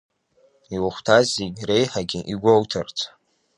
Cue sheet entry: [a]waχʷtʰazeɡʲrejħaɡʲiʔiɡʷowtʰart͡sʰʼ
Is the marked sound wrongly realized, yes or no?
yes